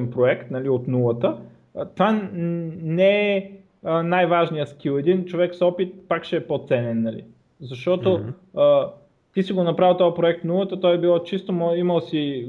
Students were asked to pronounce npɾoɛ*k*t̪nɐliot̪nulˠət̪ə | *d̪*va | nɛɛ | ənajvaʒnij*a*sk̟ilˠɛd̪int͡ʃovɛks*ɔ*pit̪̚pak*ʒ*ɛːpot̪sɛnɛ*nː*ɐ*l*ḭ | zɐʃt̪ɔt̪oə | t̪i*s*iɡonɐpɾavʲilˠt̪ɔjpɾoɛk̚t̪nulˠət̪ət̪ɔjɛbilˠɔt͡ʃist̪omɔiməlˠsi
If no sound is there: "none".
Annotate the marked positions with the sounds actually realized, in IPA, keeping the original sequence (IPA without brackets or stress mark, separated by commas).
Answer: k, t̪, ə, ɔ, ʃ, nː, l, s